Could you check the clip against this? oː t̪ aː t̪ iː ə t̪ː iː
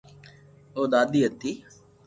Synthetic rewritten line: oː d̪ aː d̪ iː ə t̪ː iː